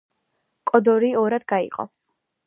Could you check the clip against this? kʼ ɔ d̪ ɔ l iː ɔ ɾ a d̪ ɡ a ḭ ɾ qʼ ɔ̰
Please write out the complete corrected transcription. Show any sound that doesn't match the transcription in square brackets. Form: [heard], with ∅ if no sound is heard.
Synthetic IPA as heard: kʼ ɔ d̪ ɔ [ɾ] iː ɔ ɾ a d̪ ɡ a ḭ [∅] qʼ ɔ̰

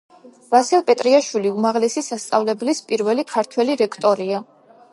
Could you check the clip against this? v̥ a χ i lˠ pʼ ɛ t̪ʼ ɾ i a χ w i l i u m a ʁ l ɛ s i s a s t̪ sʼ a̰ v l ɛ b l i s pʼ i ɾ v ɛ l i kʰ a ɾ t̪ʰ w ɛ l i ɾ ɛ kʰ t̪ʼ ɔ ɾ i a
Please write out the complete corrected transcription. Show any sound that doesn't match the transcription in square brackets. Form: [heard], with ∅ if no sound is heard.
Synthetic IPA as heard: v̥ a [s] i lˠ pʼ ɛ t̪ʼ ɾ i a [ʃ] w i l i u m a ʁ l ɛ s i s a s t̪ sʼ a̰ v l ɛ b l i s pʼ i ɾ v ɛ l i kʰ a ɾ t̪ʰ w ɛ l i ɾ ɛ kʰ t̪ʼ ɔ ɾ i a

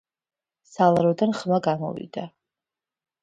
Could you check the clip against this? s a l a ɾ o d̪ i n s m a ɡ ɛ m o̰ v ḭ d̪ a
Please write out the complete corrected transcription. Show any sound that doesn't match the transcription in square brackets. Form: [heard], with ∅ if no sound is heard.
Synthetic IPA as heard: s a l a ɾ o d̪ [a] n [χ] m a ɡ [a] m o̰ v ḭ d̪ a

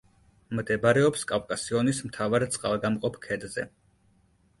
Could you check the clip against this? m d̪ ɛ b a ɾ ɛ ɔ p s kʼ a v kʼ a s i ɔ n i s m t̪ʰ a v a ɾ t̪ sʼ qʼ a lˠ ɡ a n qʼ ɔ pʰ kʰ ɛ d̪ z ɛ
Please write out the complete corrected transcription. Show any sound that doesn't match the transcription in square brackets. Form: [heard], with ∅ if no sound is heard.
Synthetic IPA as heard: m d̪ ɛ b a ɾ ɛ ɔ p s kʼ a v kʼ a s i ɔ n i s m t̪ʰ a v a ɾ t̪ sʼ qʼ a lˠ ɡ a [m] qʼ ɔ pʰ kʰ ɛ d̪ z ɛ

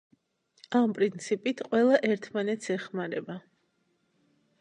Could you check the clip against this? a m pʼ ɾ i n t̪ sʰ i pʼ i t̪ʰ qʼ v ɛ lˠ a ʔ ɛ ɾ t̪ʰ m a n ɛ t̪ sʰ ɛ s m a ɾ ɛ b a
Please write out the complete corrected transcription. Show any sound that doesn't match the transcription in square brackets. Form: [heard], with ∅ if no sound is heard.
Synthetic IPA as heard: a m pʼ ɾ i n t̪ sʰ i pʼ i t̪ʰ qʼ [w] ɛ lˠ a ʔ ɛ ɾ t̪ʰ m a n ɛ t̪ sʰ ɛ [χ] m a ɾ ɛ b a

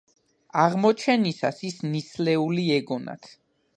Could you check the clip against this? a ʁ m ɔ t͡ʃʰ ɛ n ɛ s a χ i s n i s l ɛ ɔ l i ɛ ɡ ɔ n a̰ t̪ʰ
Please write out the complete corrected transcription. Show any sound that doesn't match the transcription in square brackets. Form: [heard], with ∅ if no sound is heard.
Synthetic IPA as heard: a ʁ m ɔ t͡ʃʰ ɛ n [i] s a [s] i s n i s l ɛ [u] l i ɛ ɡ ɔ n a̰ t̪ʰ

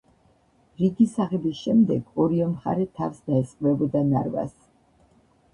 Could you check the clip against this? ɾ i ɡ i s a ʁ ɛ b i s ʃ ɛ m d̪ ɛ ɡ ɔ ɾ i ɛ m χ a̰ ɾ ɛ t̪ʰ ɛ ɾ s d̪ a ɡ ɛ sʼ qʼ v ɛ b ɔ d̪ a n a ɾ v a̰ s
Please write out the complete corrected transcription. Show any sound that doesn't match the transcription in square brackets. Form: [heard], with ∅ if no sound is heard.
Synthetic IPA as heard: ɾ i ɡ i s a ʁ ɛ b i s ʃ ɛ m d̪ ɛ ɡ ɔ ɾ i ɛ m χ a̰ ɾ ɛ t̪ʰ [a] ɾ s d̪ a [∅] ɛ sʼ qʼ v ɛ b ɔ d̪ a n a ɾ v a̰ s

